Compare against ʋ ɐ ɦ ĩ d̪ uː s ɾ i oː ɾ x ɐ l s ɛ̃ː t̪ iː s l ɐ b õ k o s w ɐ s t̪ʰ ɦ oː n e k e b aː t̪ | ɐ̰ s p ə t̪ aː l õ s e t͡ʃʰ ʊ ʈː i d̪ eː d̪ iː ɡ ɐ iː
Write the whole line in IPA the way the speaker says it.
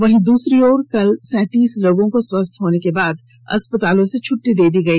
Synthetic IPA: ʋ ɐ ɦ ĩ d̪ uː s ɾ i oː ɾ k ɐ l s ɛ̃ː t̪ iː s l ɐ ɡ õ k o s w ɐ s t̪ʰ ɦ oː n e k e b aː d̪ | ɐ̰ s p ə t̪ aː l õ s e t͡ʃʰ ʊ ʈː i d̪ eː d̪ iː ɡ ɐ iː